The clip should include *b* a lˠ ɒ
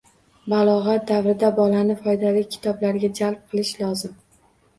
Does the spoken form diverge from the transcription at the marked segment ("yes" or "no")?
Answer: no